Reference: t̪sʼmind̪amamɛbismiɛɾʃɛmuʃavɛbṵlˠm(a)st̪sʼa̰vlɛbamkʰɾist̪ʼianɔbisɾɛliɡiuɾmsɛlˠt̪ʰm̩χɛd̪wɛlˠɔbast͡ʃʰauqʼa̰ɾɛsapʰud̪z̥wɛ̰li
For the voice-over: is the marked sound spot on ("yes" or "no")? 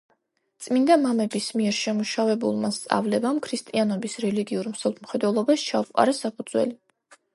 yes